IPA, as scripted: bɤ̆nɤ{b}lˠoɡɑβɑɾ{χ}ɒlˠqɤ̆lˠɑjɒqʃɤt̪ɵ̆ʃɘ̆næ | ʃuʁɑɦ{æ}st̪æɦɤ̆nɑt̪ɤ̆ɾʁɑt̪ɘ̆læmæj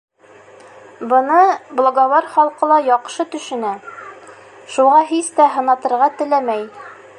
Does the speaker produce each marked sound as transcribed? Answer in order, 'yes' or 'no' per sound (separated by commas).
yes, yes, no